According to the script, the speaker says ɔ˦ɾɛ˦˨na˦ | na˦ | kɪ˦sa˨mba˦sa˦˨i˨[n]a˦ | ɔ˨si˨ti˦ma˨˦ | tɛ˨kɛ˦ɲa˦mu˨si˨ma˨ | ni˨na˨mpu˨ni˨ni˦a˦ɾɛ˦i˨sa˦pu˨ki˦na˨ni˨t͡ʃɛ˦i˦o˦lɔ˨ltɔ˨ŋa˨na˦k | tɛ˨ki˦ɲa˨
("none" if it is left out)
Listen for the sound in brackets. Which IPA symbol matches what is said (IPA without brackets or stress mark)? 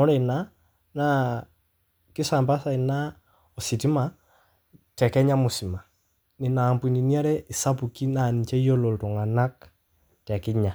n